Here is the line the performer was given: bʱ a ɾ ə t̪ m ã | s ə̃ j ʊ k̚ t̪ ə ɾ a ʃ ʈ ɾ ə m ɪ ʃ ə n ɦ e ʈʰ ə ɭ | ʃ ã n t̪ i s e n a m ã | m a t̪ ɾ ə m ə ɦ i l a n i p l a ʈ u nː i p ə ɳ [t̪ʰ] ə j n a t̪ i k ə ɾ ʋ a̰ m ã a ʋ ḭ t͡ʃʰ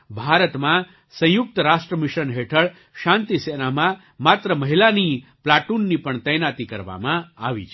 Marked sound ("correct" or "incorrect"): incorrect